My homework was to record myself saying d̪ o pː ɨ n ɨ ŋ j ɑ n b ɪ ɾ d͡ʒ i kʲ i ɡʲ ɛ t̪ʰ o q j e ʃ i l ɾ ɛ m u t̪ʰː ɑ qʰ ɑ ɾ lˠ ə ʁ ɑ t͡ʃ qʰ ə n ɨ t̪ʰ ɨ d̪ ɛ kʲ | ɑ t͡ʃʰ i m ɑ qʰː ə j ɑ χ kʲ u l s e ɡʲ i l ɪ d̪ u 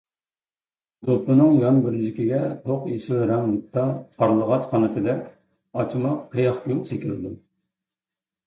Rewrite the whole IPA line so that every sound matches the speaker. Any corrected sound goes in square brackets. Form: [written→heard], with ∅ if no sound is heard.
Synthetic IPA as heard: d̪ o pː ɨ n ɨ ŋ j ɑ n b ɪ ɾ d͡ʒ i kʲ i ɡʲ ɛ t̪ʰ o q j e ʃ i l ɾ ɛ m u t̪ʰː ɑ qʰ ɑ ɾ lˠ ə ʁ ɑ t͡ʃ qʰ [ə→ɑ] n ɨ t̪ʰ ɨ d̪ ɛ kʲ | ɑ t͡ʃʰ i m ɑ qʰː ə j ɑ χ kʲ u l s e [ɡʲ→kʲ] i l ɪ d̪ u